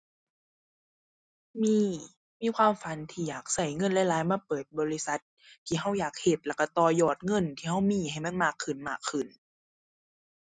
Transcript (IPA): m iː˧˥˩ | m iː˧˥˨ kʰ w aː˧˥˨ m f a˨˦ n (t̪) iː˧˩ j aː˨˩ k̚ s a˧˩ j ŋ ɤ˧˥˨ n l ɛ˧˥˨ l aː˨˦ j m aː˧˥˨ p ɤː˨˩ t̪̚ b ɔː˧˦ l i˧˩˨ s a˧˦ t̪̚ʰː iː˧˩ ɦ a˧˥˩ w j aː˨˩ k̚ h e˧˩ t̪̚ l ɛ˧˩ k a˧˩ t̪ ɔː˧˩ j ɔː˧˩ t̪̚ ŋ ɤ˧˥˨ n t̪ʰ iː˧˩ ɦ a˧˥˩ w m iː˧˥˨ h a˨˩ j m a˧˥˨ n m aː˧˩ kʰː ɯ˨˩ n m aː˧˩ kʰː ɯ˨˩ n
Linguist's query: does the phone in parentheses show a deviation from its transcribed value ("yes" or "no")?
yes